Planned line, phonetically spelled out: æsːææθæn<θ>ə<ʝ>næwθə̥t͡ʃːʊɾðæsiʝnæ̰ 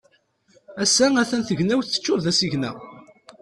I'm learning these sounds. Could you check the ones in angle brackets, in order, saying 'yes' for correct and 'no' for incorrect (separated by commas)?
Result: yes, yes